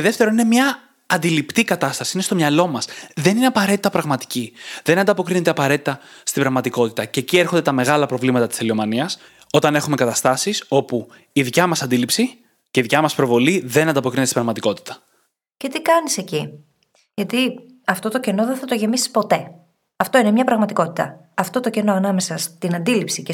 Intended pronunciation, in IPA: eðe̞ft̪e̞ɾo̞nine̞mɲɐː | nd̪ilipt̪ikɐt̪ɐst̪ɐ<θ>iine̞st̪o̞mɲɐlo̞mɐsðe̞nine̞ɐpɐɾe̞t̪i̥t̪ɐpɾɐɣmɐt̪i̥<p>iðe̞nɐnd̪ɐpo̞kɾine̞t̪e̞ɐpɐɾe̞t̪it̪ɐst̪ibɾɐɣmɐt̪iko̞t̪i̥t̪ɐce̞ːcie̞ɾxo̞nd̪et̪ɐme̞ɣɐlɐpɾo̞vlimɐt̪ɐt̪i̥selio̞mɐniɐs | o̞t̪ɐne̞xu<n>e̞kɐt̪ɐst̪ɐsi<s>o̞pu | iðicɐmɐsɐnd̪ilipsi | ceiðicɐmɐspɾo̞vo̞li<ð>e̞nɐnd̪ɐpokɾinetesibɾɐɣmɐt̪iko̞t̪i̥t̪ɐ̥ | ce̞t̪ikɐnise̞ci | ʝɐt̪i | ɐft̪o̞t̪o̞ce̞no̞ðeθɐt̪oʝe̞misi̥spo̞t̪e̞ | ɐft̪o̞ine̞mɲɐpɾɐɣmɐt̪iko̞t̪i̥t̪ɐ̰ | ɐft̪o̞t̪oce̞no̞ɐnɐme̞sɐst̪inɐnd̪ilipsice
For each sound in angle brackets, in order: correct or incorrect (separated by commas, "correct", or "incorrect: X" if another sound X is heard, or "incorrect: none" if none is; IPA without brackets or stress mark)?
incorrect: s, incorrect: c, incorrect: m, correct, correct